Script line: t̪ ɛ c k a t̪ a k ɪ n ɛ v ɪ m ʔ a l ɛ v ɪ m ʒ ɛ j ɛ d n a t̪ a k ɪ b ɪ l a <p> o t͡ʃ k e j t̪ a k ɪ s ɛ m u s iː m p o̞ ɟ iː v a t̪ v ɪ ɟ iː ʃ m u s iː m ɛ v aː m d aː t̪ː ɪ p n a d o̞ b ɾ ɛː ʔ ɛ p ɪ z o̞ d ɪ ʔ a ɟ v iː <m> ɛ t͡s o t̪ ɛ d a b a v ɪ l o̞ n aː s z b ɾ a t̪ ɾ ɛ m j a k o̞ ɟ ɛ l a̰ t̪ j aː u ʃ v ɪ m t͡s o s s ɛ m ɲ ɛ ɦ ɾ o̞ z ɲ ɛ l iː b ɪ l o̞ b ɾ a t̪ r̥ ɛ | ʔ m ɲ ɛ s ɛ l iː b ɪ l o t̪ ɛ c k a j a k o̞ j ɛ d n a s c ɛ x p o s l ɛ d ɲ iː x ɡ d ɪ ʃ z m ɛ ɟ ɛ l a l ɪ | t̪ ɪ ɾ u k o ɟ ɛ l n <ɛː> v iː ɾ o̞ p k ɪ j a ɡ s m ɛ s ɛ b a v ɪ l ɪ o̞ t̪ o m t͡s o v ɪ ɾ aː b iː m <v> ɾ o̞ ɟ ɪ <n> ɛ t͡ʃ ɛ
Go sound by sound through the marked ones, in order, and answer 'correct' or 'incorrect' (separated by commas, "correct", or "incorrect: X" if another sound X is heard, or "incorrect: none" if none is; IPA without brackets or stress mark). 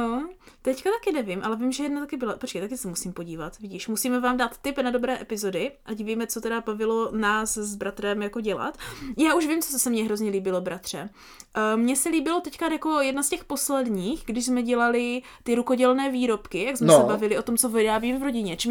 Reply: correct, correct, correct, correct, incorrect: ɲ